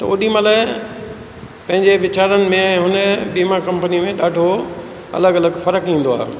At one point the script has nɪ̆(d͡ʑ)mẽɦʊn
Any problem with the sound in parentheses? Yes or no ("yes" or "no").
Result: yes